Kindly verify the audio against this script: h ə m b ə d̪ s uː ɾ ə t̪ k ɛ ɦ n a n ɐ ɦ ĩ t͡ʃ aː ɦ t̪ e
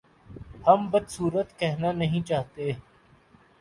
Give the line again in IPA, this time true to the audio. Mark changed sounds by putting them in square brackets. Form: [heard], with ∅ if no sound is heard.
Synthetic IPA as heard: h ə m b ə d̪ s uː ɾ ə t̪ k ɛ ɦ n a n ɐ ɦ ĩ t͡ʃ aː ɦ t̪ e